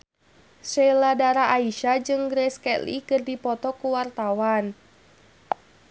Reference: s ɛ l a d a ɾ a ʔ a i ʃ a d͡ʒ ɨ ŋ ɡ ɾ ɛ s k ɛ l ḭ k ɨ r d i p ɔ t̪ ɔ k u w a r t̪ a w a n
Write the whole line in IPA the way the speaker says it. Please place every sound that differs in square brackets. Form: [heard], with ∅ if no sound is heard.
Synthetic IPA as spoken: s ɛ l a d a ɾ a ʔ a i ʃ a d͡ʒ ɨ ŋ ɡ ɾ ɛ s k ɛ l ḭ k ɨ r d i p ɔ t̪ ɔ k u w a r t̪ a w a n